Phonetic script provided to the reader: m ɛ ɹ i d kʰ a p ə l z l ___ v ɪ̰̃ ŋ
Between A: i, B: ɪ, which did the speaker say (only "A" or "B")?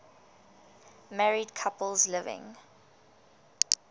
B